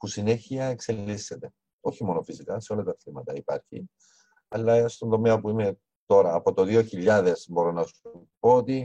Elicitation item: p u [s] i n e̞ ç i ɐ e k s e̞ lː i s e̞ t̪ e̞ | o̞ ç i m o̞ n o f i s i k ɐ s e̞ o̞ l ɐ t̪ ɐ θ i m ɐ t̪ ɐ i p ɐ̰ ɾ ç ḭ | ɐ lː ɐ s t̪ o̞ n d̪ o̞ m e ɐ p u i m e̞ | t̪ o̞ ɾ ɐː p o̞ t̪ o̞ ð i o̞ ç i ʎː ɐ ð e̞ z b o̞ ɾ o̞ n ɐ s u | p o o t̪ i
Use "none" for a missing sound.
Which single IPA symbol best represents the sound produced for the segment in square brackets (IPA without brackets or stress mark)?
s